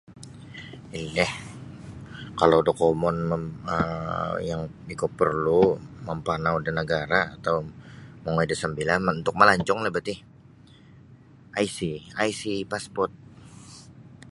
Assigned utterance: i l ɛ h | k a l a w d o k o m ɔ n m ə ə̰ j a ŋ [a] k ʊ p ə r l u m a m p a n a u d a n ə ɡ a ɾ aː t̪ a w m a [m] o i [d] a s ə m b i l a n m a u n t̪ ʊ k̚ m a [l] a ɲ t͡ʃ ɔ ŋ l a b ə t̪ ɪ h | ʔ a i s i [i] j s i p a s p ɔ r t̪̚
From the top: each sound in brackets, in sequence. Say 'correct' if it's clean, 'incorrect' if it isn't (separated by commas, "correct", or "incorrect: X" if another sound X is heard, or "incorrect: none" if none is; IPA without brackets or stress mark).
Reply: incorrect: i, incorrect: ŋ, correct, correct, incorrect: a